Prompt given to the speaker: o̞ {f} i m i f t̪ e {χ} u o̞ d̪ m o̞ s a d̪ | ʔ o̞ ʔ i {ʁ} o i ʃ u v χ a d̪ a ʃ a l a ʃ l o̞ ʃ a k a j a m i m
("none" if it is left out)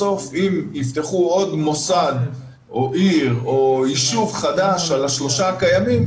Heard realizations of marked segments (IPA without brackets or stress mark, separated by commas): f, χ, ʁ